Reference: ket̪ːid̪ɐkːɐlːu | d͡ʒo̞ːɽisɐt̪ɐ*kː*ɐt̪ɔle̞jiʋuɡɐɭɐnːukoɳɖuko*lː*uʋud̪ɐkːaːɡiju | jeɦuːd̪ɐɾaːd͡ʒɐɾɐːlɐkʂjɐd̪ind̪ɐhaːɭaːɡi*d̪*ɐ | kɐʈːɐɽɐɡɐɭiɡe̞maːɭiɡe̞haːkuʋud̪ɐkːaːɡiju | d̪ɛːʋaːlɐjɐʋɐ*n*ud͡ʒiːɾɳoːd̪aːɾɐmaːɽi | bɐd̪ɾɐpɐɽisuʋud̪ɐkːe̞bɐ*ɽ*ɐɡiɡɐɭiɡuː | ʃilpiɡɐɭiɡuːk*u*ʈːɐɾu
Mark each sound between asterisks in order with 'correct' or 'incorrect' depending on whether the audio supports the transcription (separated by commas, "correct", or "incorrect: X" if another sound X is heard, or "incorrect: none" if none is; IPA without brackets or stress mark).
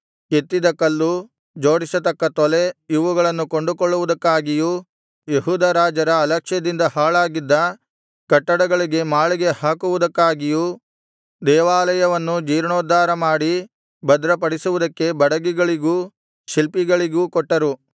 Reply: correct, incorrect: ɭː, incorrect: d̪ː, incorrect: nː, correct, incorrect: ɔ